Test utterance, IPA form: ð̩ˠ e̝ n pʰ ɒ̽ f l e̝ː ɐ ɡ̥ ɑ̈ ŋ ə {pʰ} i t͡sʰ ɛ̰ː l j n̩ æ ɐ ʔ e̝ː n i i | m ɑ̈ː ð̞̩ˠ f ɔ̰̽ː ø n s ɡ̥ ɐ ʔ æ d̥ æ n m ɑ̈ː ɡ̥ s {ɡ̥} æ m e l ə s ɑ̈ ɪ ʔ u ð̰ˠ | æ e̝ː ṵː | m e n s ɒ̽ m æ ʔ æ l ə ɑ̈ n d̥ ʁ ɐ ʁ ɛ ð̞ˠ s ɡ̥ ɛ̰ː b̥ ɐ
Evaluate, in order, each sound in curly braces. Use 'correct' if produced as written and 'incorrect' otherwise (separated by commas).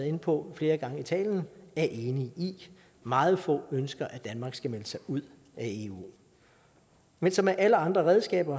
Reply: incorrect, correct